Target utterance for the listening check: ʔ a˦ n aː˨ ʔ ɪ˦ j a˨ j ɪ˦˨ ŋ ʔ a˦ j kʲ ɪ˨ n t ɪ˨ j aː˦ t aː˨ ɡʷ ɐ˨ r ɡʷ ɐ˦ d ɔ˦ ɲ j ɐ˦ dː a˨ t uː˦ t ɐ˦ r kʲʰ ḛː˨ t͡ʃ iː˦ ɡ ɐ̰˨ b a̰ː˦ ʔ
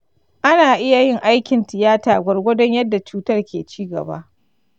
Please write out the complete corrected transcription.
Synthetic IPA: ʔ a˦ n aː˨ ʔ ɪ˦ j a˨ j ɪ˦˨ ŋ ʔ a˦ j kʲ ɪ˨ n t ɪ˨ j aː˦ t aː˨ ɡʷ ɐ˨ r ɡʷ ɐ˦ d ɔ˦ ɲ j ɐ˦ dː a˨ t͡ʃ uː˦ t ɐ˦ r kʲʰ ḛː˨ t͡ʃ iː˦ ɡ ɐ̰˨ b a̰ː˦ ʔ

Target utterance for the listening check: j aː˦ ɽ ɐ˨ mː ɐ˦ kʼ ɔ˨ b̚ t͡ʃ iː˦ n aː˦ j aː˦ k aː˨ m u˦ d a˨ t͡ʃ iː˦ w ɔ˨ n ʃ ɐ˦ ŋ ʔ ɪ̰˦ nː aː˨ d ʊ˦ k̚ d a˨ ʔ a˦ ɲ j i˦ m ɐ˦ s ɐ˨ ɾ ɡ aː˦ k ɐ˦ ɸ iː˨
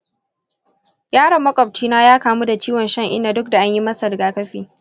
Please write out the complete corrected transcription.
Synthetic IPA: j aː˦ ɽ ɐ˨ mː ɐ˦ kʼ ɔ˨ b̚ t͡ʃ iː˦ n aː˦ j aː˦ k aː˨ m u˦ d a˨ t͡ʃ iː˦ w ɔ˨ n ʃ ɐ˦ ŋ ʔ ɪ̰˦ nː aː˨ d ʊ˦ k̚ d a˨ ʔ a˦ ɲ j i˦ m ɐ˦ s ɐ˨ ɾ ɡ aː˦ k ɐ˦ ɸ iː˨

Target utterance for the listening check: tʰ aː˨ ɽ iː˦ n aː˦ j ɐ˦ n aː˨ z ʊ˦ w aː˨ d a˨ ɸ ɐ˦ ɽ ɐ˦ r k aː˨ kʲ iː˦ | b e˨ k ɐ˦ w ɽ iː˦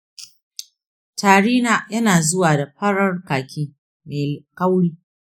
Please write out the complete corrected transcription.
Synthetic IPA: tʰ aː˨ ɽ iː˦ n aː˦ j ɐ˦ n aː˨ z ʊ˦ w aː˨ d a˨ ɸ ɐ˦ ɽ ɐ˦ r k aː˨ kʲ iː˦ | m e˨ k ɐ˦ w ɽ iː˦

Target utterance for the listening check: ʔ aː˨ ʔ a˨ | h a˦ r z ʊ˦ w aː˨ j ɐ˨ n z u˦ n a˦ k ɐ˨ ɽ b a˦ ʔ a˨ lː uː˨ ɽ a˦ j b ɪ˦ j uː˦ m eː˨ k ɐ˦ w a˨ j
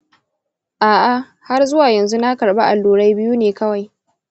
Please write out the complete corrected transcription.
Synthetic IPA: ʔ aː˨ ʔ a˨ | h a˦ r z ʊ˦ w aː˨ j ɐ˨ n z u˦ n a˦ k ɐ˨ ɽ b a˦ ʔ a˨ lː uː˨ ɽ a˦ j b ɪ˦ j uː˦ n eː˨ k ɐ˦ w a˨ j

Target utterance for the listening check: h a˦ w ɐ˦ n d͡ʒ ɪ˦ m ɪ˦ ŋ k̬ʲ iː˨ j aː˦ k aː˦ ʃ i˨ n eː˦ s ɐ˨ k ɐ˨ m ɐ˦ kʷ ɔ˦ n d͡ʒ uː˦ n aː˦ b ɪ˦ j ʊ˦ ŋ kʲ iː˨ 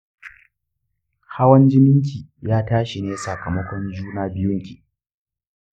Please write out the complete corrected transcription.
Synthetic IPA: h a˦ w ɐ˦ n d͡ʒ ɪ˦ m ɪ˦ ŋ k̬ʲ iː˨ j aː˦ t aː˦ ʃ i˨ n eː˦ s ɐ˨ k ɐ˨ m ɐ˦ kʷ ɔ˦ n d͡ʒ uː˦ n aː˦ b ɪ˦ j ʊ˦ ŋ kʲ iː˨

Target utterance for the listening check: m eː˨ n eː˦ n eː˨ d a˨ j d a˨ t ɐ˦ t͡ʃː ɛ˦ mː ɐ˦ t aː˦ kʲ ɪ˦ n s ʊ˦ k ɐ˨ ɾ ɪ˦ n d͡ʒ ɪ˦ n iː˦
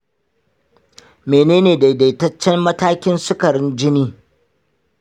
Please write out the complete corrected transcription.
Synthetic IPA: m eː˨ n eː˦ n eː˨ d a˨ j d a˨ t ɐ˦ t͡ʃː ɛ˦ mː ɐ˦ t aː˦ kʲ ɪ˦ n s ʊ˦ k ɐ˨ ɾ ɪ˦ n d͡ʒ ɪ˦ n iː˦

